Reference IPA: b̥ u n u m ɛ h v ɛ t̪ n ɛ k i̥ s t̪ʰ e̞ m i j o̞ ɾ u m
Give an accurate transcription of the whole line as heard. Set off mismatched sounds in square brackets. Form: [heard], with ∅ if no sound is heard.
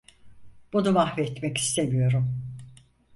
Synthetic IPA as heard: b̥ u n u m [a] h v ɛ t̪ [m] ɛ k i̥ s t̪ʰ e̞ m i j o̞ ɾ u m